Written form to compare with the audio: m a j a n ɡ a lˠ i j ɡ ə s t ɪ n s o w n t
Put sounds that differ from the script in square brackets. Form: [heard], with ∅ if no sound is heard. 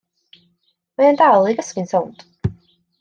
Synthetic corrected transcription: m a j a n [d] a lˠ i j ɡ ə s [k] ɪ n s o w n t